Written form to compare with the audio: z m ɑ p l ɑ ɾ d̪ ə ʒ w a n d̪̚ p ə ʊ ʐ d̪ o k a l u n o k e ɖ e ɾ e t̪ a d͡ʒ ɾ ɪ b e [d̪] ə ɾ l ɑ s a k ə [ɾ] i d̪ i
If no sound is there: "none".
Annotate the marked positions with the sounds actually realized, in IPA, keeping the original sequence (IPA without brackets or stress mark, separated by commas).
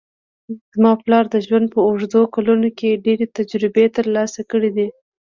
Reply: t̪, ɽ